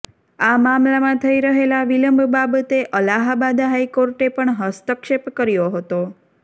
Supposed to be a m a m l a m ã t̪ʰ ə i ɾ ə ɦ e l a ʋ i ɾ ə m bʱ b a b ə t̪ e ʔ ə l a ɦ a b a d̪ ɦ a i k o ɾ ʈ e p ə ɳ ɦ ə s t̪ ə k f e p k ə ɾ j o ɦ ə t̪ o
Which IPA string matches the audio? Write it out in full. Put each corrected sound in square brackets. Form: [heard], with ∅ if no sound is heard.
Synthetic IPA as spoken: a m a m l a m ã t̪ʰ ə i ɾ ə ɦ e l a ʋ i [l] ə m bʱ b a b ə t̪ e ʔ ə l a ɦ a b a d̪ ɦ a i k o ɾ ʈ e p ə ɳ ɦ ə s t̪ ə k [ʃ] e p k ə ɾ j o ɦ ə t̪ o